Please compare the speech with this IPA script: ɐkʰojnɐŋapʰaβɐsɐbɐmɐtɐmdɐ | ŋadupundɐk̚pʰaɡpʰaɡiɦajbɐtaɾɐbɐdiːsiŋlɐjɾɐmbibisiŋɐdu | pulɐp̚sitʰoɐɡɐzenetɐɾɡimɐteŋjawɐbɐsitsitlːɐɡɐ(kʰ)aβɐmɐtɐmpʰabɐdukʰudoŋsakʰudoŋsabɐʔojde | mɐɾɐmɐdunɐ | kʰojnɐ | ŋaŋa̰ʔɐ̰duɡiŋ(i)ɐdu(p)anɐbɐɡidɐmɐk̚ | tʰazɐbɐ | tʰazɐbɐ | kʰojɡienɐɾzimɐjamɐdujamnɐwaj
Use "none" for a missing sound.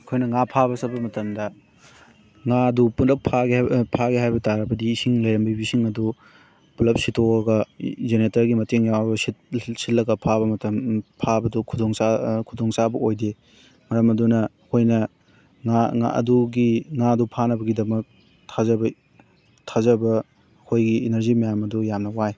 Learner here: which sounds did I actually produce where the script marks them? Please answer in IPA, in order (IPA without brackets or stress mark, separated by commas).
pʰ, a, pʰ